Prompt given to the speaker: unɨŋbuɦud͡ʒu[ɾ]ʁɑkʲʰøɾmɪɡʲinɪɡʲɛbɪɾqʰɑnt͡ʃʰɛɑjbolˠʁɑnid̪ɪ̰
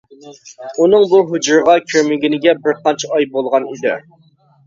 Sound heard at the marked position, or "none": ɾ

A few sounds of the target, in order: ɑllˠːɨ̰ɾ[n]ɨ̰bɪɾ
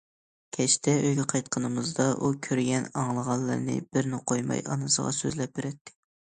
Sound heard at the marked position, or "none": n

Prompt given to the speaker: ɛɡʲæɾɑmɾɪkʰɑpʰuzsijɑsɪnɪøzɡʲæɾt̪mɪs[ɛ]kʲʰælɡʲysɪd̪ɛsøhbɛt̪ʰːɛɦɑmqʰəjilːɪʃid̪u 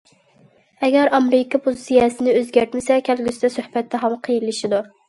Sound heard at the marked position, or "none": ɛ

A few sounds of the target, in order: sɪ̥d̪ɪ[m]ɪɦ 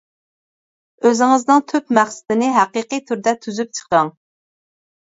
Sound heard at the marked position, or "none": n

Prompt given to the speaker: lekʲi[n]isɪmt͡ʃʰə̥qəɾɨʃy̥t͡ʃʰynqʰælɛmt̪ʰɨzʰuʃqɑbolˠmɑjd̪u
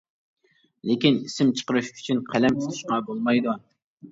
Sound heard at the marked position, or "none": n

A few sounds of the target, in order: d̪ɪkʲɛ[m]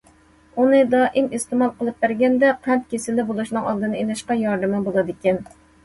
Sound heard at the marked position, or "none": n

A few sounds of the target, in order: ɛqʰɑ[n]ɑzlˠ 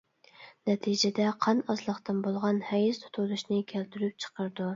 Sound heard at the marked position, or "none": n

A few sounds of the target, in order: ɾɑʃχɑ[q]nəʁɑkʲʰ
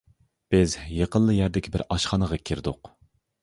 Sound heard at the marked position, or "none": none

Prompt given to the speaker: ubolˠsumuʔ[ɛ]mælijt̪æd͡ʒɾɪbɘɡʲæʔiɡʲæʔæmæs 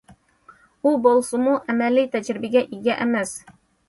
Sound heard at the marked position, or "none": æ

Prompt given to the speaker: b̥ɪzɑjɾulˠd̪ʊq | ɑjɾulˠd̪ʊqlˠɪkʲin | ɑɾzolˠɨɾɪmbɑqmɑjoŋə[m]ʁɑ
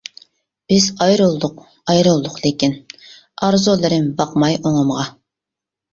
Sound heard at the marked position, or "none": m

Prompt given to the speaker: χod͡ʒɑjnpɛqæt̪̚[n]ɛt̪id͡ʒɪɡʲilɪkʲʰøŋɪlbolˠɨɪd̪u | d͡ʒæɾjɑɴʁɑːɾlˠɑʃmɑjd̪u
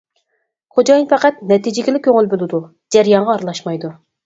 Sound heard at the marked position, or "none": n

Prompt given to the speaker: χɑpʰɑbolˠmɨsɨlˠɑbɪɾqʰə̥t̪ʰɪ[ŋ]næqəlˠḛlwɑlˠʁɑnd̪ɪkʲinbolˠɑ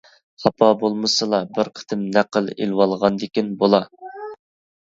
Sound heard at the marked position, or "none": m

